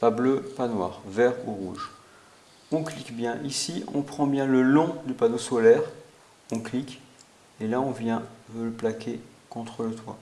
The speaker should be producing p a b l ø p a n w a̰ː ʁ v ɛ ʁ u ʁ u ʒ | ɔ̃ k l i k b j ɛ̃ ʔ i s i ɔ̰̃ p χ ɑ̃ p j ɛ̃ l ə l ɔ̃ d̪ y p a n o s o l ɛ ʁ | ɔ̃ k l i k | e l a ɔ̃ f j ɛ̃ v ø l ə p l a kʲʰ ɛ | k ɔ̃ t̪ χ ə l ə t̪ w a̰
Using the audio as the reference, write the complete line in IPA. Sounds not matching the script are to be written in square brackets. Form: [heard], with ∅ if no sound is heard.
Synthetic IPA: p a b l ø p a n w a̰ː ʁ v ɛ ʁ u ʁ u ʒ | ɔ̃ k l i k b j ɛ̃ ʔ i s i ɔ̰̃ p χ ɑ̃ [b] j ɛ̃ l ə l ɔ̃ d̪ y p a n o s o l ɛ ʁ | ɔ̃ k l i k | e l a ɔ̃ [v] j ɛ̃ v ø l ə p l a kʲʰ [e] | k ɔ̃ t̪ χ ə l ə t̪ w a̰